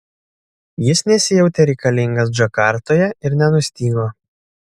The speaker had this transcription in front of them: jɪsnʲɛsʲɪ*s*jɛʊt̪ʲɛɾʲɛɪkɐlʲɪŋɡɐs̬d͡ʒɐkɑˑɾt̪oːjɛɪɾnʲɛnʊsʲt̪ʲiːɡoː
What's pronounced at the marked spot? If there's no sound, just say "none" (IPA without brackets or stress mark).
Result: none